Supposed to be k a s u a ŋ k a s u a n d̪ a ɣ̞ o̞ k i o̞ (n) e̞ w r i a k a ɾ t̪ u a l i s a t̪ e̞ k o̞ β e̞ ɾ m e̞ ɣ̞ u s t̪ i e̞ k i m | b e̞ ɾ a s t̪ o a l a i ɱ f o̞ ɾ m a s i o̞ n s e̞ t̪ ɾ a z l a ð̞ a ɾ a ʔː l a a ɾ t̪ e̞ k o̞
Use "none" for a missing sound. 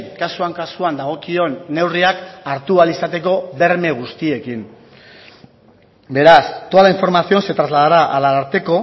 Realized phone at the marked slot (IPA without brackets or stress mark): nː